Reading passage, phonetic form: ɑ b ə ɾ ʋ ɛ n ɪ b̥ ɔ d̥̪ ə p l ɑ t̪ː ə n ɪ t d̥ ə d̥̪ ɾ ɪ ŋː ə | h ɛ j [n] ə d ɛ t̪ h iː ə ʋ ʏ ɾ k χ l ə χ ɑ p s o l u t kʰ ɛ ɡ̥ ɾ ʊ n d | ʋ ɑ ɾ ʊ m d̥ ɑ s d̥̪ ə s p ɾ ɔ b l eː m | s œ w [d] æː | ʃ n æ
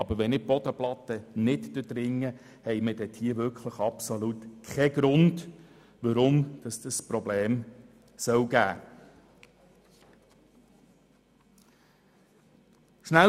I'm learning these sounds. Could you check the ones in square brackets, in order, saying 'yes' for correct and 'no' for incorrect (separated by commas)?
no, no